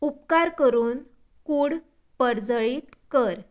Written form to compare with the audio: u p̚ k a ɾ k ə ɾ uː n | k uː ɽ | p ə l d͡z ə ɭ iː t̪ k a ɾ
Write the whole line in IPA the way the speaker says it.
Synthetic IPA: u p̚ k a ɾ k ə ɾ uː n | k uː ɽ | p ə ɾ d͡z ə ɭ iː t̪ k ə ɾ